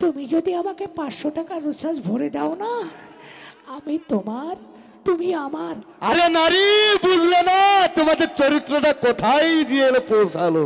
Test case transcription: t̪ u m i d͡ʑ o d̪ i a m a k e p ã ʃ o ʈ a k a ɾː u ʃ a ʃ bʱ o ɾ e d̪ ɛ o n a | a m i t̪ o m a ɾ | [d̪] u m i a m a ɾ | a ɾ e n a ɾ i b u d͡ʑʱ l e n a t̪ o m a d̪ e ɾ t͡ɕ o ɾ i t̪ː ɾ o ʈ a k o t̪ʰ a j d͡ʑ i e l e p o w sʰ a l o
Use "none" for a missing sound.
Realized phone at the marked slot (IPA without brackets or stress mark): t̪